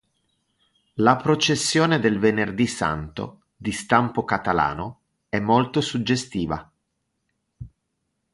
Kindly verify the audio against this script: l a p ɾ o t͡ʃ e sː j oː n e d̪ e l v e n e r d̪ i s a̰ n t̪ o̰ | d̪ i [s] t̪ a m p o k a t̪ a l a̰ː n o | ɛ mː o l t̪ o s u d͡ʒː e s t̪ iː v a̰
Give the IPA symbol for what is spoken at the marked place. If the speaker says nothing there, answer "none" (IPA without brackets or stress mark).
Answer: s